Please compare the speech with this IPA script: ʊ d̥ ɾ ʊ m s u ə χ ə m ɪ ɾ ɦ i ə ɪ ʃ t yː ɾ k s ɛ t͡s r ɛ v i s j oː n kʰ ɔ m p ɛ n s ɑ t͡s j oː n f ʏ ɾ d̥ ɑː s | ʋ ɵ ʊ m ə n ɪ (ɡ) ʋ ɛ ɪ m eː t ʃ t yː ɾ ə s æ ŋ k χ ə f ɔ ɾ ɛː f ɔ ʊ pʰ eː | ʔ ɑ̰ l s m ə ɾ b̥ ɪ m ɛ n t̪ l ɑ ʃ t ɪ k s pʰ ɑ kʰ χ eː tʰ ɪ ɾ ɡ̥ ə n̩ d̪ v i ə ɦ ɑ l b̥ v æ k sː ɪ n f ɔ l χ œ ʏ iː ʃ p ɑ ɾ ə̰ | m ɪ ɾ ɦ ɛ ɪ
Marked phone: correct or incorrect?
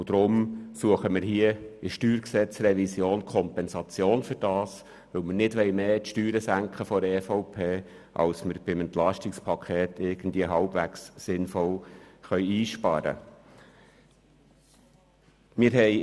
incorrect